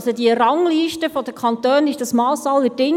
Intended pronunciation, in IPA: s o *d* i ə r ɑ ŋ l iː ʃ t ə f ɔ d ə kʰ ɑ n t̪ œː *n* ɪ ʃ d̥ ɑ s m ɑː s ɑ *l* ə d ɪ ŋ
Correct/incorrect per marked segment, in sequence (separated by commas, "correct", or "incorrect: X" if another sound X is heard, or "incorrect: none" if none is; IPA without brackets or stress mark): correct, correct, correct